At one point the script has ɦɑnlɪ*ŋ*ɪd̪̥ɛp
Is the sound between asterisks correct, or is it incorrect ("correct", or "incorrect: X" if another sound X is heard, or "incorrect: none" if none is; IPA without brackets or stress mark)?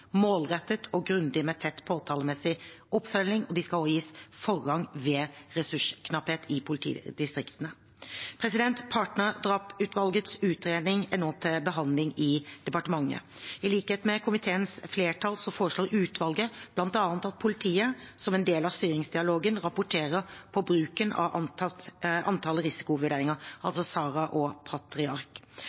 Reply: correct